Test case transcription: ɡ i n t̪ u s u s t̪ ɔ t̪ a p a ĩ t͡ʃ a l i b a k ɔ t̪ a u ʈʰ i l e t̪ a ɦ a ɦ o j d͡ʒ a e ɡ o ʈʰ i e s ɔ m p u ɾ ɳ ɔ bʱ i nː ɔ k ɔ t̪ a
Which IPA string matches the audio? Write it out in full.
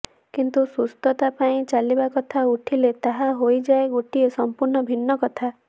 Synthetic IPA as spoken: k i n t̪ u s u s t̪ ɔ t̪ a p a ĩ t͡ʃ a l i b a k ɔ t̪ʰ a u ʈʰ i l e t̪ a ɦ a ɦ o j d͡ʒ a e ɡ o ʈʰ i e s ɔ m p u ɾ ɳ ɔ bʱ i nː ɔ k ɔ t̪ʰ a